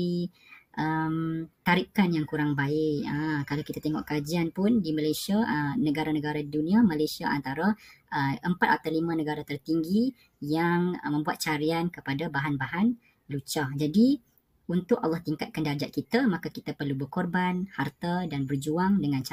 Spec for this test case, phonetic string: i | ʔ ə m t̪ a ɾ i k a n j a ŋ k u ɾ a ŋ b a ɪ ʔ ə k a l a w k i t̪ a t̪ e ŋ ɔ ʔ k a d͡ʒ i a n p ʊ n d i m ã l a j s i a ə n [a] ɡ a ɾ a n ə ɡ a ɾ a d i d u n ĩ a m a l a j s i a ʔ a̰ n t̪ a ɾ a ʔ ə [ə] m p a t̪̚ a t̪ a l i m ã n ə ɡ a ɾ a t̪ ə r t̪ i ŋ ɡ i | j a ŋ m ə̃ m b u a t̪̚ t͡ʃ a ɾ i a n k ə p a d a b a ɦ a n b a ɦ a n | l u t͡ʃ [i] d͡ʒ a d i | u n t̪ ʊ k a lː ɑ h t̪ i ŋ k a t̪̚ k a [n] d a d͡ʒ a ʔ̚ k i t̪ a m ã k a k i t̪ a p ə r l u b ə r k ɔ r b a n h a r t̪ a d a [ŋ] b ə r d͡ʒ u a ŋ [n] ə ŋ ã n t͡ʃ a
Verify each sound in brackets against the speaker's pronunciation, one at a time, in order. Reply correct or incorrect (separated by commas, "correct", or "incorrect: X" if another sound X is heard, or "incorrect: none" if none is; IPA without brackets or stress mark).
incorrect: ə, correct, incorrect: a, correct, incorrect: n, incorrect: d